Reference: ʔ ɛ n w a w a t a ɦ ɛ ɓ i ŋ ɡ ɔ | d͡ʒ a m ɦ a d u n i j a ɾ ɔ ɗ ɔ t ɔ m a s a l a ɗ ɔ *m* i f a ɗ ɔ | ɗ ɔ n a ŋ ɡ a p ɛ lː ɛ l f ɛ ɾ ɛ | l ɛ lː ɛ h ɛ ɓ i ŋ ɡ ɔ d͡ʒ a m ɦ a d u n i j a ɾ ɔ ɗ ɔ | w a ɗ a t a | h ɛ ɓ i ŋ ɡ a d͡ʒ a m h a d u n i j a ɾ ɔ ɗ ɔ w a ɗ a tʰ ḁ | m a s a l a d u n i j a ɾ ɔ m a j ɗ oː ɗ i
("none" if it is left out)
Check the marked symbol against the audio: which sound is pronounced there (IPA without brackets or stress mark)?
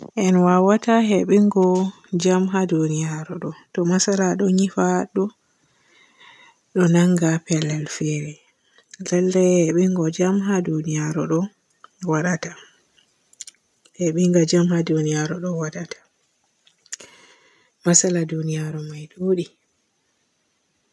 ɲ